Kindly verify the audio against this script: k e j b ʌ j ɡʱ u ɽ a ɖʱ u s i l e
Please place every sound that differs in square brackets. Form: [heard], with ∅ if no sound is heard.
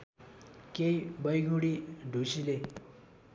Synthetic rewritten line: k e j b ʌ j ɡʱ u ɽ [i] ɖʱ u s i l e